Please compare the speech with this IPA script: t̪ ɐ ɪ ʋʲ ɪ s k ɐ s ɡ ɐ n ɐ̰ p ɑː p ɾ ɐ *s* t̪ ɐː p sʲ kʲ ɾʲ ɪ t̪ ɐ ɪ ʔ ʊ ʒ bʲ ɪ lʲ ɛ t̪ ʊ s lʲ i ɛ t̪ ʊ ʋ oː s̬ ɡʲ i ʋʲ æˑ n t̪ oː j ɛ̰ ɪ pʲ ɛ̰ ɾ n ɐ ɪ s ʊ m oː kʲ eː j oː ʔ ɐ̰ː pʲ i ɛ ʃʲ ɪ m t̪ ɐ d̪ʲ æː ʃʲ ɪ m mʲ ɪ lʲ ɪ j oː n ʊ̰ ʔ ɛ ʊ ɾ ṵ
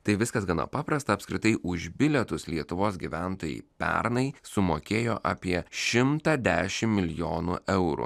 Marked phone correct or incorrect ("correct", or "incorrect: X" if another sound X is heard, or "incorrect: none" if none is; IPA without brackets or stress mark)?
correct